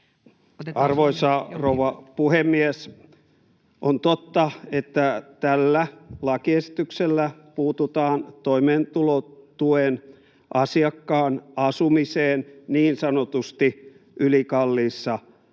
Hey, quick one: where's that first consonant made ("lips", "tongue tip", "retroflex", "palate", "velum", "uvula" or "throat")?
tongue tip